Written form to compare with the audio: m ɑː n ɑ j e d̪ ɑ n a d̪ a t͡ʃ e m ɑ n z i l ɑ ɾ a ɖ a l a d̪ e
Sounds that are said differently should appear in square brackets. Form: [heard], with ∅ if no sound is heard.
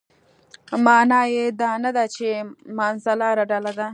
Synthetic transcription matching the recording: m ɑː n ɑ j e d̪ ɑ n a d̪ a t͡ʃ e m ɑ n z [a] l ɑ ɾ a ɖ a l a d̪ [a]